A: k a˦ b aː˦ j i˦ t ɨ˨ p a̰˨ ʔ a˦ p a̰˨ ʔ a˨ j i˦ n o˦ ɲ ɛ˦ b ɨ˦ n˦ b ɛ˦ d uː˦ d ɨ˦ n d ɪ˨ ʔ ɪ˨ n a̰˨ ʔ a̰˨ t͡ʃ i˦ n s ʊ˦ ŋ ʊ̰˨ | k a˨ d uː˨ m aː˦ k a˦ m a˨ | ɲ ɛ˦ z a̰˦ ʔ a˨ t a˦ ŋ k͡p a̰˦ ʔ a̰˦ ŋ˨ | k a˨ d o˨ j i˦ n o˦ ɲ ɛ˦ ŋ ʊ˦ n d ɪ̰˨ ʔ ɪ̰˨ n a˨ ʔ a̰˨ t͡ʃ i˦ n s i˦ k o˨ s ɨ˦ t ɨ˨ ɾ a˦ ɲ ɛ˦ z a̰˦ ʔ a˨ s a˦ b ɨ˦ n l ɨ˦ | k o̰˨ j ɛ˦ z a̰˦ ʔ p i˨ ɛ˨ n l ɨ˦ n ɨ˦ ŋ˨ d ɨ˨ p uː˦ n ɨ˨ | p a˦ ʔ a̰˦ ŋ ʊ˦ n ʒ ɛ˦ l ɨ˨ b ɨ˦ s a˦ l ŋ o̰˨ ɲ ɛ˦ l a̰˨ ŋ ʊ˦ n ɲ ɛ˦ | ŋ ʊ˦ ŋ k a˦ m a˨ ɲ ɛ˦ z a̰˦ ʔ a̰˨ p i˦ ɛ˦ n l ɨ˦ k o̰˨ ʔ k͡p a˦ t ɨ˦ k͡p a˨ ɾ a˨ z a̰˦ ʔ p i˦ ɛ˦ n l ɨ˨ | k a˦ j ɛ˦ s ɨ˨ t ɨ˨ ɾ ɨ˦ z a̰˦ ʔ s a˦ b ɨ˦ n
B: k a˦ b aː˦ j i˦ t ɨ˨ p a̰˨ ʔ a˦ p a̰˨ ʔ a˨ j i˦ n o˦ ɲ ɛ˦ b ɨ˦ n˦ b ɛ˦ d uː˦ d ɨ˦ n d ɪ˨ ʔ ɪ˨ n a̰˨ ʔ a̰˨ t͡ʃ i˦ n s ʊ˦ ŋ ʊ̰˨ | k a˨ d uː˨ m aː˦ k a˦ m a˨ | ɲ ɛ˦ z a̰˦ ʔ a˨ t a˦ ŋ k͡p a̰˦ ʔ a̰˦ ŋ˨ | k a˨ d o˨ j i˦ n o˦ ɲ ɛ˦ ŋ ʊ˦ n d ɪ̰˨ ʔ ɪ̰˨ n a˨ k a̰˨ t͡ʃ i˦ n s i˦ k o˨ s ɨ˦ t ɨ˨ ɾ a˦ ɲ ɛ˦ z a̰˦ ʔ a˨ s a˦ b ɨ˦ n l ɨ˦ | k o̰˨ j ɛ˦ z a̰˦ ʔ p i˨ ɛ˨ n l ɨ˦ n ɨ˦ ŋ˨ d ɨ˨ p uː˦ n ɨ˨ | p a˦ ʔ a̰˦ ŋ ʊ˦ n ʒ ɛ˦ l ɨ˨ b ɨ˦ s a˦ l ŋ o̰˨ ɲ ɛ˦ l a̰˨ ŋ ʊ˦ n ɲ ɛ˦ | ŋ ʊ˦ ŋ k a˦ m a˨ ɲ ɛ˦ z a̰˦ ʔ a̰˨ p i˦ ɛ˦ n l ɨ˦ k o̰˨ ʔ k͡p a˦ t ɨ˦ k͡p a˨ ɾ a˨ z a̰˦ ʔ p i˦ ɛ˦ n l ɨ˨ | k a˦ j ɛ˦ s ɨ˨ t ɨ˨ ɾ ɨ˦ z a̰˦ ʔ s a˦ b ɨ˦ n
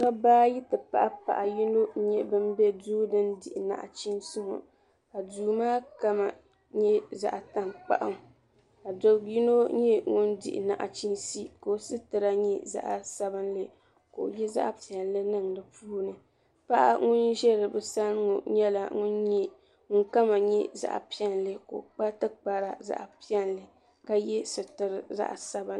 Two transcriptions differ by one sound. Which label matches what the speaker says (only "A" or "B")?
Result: A